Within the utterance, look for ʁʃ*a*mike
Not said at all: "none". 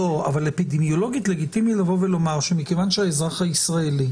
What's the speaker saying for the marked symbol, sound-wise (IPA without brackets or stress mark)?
e